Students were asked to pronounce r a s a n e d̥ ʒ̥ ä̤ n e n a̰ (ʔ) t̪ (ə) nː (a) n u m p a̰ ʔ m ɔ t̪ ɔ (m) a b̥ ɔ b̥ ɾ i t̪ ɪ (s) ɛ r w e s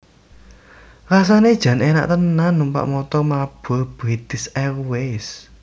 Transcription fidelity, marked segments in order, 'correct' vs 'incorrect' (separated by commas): correct, correct, correct, correct, correct